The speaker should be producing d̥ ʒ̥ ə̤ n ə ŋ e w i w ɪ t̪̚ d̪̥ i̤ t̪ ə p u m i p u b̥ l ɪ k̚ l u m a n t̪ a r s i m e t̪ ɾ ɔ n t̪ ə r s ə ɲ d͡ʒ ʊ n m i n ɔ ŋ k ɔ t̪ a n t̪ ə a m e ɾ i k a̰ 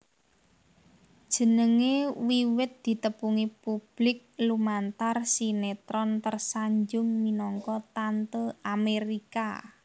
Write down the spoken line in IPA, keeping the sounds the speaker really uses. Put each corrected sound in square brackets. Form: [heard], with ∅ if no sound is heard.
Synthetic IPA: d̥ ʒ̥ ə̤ n ə ŋ e w i w ɪ t̪̚ d̪̥ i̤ t̪ ə p u [ŋ] i p u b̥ l ɪ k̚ l u m a n t̪ a r s i [n] e t̪ ɾ ɔ n t̪ ə r s [a] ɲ d͡ʒ ʊ [ŋ] m i n ɔ ŋ k ɔ t̪ a n t̪ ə a m e ɾ i k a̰